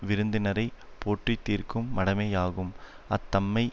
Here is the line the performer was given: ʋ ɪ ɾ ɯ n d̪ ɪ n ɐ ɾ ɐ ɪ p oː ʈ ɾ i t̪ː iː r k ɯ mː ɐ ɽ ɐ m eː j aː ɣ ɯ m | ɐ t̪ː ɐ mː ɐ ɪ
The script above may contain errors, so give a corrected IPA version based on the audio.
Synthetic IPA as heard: ʋ ɪ ɾ ɯ n d̪ ɪ n ɐ ɾ ɐ ɪ p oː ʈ r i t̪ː iː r k ɯ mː ɐ ɽ ɐ m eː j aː ɣ ɯ m | ɐ t̪ː ɐ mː ɐ ɪ